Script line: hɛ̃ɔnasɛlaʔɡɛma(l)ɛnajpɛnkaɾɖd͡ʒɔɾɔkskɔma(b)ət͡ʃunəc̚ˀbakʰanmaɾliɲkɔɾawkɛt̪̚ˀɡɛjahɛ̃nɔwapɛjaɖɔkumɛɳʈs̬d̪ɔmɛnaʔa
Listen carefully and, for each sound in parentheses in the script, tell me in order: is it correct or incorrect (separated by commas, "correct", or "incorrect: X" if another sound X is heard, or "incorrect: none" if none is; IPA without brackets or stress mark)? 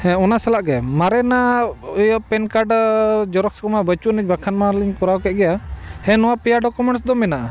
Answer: incorrect: ɾ, correct